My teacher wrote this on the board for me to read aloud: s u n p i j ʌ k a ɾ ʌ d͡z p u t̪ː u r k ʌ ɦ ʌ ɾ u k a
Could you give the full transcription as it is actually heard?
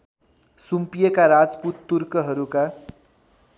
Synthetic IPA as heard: s u m p i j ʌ k a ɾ a d͡z p u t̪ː u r k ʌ ɦ ʌ ɾ u k a